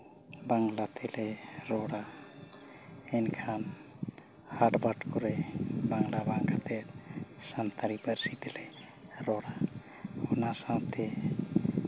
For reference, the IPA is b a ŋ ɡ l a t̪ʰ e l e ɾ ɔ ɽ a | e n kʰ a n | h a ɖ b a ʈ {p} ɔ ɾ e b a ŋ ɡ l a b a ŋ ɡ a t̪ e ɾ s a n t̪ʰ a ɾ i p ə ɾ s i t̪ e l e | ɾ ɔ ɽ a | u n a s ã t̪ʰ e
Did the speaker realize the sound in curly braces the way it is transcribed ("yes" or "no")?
no